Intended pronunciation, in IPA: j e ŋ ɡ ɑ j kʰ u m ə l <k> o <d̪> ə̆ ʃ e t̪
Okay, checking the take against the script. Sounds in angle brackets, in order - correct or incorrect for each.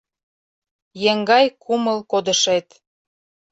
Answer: correct, correct

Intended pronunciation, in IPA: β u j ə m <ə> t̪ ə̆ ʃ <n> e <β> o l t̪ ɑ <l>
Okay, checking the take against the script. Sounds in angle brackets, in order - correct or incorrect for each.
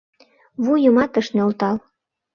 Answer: incorrect: ɑ, correct, incorrect: none, correct

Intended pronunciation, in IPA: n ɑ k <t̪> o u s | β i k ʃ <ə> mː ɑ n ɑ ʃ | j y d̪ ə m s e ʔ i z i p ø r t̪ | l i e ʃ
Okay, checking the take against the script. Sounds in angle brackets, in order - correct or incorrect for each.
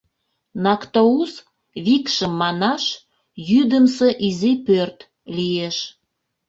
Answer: correct, correct

